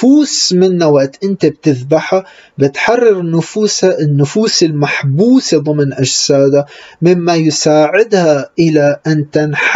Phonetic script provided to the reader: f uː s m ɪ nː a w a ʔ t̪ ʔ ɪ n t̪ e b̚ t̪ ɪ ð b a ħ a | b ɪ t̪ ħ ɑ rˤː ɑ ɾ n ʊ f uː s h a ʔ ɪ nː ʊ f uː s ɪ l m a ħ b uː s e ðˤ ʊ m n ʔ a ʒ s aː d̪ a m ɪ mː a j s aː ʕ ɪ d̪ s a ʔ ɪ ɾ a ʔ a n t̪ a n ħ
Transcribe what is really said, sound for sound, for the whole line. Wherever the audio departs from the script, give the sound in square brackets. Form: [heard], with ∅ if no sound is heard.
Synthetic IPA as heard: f uː s m ɪ nː a w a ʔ t̪ ʔ ɪ n t̪ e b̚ t̪ ɪ ð b a ħ a | b ɪ t̪ ħ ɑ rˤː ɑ ɾ n ʊ f uː s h a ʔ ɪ nː ʊ f uː s ɪ l m a ħ b uː s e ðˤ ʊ m n ʔ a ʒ s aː d̪ a m ɪ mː a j s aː ʕ ɪ d̪ [h] a ʔ ɪ [l] a ʔ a n t̪ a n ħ